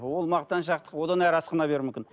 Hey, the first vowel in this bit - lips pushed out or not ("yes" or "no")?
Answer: yes